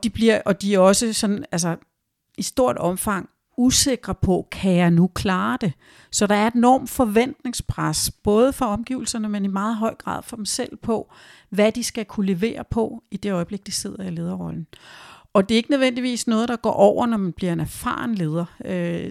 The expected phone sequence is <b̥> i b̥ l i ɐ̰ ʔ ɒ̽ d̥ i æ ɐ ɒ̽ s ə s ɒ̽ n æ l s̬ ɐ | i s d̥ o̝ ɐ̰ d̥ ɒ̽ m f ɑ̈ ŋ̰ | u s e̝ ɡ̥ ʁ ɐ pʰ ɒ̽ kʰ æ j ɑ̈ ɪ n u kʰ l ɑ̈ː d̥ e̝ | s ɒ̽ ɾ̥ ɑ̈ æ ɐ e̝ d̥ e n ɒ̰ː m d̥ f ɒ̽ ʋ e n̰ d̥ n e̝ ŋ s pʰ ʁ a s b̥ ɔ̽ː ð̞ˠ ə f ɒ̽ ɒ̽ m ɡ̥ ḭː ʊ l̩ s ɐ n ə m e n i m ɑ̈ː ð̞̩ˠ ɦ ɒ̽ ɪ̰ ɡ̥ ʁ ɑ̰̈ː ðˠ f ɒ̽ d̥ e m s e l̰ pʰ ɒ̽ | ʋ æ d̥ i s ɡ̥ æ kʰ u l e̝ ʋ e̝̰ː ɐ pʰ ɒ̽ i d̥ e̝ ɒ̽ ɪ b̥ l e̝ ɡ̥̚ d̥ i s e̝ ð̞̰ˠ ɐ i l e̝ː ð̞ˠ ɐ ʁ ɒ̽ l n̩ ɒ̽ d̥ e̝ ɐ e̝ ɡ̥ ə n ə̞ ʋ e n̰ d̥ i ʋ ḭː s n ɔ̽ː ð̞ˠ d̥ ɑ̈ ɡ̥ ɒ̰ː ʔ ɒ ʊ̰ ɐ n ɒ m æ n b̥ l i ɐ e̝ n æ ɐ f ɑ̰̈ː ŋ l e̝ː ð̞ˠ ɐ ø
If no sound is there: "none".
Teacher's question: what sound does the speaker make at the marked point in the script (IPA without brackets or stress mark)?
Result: d̥